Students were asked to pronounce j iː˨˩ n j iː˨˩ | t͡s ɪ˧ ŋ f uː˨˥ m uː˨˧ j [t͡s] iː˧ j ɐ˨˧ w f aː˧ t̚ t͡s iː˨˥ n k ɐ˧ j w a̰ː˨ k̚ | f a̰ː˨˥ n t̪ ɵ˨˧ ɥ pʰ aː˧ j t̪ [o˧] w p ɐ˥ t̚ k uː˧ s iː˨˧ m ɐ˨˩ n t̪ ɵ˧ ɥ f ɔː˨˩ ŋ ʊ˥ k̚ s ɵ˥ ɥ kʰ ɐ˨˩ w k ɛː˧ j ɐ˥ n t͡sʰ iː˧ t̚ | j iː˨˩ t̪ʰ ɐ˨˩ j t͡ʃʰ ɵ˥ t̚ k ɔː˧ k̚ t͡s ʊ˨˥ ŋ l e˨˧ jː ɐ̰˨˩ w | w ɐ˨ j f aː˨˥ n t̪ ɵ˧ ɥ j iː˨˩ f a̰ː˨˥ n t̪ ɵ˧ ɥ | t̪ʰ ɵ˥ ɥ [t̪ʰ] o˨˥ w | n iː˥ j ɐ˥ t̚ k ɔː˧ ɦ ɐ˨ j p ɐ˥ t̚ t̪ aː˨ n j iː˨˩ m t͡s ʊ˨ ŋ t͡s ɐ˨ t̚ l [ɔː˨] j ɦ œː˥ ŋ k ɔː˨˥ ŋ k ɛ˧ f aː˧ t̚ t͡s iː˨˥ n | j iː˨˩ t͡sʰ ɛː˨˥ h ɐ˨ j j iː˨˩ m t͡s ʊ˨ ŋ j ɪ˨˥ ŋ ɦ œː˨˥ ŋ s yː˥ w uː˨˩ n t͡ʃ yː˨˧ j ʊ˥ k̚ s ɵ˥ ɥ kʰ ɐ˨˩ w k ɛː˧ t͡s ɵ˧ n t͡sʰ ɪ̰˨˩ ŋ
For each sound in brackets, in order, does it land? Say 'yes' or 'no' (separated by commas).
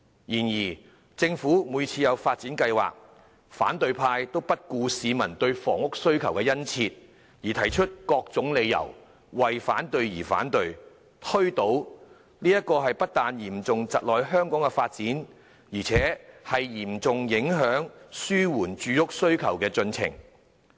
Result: no, no, no, yes